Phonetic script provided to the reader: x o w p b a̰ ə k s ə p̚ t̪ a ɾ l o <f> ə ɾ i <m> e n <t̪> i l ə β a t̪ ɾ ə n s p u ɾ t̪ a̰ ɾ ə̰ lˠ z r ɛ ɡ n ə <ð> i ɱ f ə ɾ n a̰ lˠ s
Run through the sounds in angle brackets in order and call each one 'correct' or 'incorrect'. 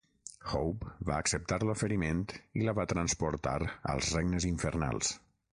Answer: correct, correct, correct, incorrect: z

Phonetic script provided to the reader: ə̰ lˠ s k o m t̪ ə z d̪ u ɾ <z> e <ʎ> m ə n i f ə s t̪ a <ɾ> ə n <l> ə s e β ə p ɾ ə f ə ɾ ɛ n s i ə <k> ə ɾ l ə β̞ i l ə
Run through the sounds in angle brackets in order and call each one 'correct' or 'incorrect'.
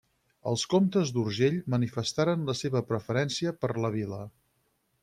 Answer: incorrect: ʒ, correct, correct, correct, incorrect: p

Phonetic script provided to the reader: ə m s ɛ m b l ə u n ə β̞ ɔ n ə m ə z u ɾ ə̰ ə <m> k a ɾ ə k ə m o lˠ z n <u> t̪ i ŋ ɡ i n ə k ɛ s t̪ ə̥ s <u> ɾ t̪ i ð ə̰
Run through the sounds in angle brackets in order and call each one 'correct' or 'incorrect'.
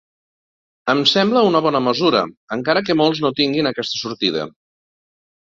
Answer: incorrect: ŋ, incorrect: o, correct

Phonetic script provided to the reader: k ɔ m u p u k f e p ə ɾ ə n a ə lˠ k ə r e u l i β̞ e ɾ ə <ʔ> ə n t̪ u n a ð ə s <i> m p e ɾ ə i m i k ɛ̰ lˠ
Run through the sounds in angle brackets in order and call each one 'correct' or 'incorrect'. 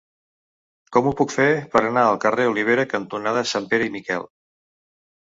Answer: incorrect: k, incorrect: a

